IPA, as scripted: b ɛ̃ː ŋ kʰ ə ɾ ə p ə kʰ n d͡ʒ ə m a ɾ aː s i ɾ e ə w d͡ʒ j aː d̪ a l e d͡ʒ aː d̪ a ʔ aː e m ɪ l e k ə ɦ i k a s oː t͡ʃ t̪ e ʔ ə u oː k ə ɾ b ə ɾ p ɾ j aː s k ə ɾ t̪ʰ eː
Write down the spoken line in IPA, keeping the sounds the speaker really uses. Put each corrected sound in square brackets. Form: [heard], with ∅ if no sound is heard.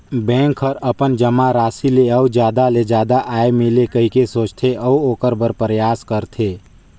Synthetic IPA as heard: b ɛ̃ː ŋ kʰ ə ɾ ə p ə [∅] n d͡ʒ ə m a ɾ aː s i [l] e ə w d͡ʒ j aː d̪ a l e d͡ʒ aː d̪ a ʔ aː e m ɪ l e k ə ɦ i k [e] s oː t͡ʃ [t̪ʰ] e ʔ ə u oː k ə ɾ b ə ɾ p ɾ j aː s k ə ɾ t̪ʰ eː